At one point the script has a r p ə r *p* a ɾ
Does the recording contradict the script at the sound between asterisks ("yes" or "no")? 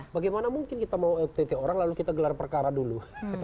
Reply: yes